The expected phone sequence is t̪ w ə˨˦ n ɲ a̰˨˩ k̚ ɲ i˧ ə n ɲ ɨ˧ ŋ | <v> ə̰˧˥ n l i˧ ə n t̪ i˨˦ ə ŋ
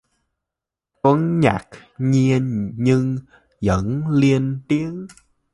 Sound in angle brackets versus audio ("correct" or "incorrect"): incorrect